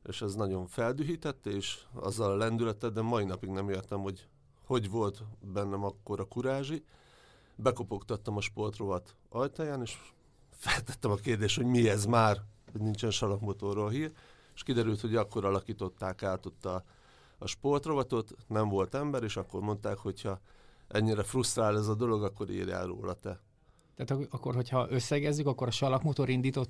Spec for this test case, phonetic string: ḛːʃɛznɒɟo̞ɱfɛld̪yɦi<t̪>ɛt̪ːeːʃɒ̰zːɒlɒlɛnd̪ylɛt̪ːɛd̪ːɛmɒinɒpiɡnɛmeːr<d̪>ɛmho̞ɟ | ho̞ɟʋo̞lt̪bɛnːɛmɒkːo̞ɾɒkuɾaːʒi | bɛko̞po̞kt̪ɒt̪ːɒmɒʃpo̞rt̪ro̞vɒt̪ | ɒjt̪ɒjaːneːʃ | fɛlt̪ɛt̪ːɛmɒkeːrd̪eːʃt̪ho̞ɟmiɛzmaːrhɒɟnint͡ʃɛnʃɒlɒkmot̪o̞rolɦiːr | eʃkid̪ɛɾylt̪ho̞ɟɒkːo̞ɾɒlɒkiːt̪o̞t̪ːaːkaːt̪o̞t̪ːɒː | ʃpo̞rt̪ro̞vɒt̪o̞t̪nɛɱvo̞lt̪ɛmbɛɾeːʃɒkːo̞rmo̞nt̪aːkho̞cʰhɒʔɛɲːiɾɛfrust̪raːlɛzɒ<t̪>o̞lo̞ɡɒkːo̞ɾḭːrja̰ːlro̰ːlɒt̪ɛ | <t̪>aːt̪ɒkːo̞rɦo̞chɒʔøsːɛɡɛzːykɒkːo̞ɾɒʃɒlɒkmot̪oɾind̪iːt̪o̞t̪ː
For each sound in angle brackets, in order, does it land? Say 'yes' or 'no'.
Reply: yes, no, no, yes

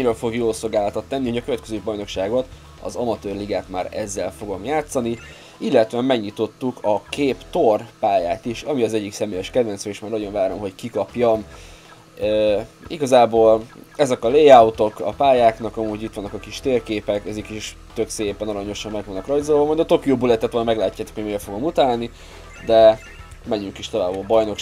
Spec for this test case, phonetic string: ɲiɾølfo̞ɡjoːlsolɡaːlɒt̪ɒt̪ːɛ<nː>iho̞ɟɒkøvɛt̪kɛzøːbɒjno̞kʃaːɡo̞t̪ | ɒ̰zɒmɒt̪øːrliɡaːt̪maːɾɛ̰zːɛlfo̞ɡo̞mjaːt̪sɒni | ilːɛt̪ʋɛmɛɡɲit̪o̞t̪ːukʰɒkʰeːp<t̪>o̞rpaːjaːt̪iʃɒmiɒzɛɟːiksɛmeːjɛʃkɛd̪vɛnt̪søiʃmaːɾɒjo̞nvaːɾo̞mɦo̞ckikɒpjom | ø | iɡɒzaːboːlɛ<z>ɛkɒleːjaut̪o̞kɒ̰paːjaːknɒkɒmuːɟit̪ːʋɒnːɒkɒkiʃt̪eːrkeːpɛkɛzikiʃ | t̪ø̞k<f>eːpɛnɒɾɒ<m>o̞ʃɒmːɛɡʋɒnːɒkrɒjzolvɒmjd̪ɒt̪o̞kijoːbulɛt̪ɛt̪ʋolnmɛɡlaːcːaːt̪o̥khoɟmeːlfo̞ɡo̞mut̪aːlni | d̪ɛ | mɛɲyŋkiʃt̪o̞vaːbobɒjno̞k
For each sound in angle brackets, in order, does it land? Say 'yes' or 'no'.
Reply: yes, yes, yes, no, no

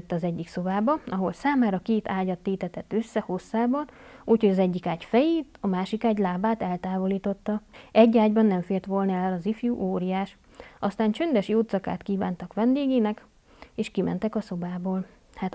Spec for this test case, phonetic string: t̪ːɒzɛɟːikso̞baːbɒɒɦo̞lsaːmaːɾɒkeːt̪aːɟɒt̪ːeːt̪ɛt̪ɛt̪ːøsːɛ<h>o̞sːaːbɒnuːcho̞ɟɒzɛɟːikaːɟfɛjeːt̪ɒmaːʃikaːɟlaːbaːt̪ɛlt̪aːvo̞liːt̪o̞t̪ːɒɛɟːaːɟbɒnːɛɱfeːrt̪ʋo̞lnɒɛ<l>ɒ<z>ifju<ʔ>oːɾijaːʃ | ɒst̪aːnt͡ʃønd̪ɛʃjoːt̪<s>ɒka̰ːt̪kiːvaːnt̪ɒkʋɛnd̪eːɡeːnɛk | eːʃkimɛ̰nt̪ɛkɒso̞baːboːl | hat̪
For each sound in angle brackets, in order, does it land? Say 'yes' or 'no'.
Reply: yes, yes, yes, yes, yes

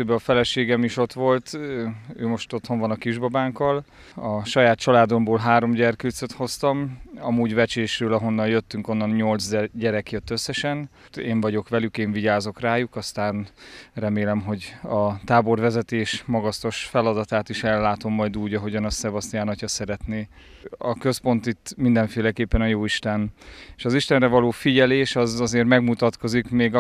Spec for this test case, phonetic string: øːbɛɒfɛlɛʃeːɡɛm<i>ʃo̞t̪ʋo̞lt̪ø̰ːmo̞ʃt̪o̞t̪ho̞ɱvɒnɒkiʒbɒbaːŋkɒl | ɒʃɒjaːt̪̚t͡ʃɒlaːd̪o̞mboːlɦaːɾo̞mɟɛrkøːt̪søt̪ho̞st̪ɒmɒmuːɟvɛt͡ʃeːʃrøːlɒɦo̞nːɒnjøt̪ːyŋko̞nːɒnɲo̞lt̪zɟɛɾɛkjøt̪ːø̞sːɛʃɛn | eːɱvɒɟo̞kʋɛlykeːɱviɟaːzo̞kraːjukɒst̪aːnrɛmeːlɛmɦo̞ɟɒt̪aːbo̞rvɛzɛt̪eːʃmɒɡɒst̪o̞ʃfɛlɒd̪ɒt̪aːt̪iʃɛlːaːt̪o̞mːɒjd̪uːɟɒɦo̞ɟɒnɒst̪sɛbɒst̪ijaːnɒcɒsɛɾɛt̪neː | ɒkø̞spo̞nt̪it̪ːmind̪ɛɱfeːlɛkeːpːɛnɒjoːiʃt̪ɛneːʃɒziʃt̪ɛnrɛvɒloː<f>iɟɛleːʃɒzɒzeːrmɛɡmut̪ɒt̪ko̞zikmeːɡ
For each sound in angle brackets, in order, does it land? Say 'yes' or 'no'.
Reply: yes, yes

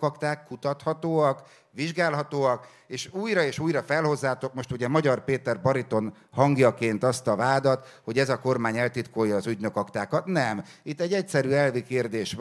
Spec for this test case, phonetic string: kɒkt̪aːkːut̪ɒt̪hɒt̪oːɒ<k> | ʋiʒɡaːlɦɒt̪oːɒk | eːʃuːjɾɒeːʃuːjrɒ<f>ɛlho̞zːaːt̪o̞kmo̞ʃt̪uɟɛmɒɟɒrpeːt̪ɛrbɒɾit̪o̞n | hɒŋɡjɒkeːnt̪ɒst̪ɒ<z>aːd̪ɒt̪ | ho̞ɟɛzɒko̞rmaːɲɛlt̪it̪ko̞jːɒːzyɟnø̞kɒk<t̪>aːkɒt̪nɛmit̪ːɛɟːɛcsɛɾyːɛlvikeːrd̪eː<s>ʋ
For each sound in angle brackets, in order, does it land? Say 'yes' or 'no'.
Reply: yes, yes, no, yes, no

